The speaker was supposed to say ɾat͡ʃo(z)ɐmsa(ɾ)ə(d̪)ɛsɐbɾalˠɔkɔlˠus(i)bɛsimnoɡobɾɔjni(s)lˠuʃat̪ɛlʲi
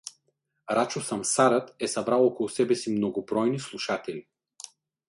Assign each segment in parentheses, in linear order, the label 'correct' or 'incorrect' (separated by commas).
incorrect, correct, incorrect, incorrect, correct